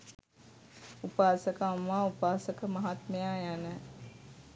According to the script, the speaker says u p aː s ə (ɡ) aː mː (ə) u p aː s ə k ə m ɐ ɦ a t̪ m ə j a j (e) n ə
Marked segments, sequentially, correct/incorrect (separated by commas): incorrect, incorrect, incorrect